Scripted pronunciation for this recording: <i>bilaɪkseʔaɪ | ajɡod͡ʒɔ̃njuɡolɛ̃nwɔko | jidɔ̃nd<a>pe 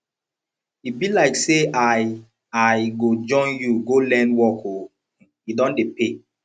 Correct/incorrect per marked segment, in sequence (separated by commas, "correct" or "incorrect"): correct, incorrect